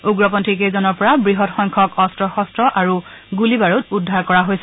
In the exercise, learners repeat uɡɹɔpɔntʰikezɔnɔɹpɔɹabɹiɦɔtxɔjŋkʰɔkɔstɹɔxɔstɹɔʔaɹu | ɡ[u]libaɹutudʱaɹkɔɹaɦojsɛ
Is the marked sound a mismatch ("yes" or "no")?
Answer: no